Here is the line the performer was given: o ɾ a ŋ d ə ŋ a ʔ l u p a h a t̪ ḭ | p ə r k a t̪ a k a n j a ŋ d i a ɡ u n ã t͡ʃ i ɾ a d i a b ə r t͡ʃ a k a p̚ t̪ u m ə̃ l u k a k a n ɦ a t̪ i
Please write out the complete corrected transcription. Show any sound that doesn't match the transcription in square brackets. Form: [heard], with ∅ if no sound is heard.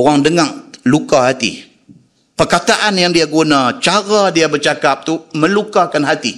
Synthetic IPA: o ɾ a ŋ d ə ŋ a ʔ l u [k] a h a t̪ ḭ | p ə r k a t̪ a [ʔ] a n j a ŋ d i a ɡ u n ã t͡ʃ [a] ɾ a d i a b ə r t͡ʃ a k a p̚ t̪ u m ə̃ l u k a k a n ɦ a t̪ i